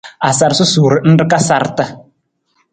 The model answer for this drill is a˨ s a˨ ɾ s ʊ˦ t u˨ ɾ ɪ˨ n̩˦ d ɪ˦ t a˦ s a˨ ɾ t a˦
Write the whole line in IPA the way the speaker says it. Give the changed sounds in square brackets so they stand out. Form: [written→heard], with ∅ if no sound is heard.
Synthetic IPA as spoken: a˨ s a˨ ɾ s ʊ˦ [t→s] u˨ ɾ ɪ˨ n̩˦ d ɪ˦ [t→k] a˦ s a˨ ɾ t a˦